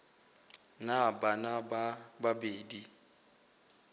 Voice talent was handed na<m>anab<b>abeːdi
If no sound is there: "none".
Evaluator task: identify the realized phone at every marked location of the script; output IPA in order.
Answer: b, b

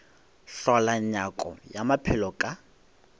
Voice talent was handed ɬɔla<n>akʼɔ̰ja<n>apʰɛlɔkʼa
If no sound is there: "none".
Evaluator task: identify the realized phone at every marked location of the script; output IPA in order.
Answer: ɲ, m

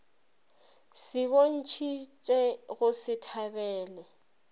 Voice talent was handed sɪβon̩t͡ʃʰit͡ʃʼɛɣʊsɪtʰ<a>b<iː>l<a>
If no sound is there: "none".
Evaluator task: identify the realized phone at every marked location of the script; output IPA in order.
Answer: a, ɛː, ɛ

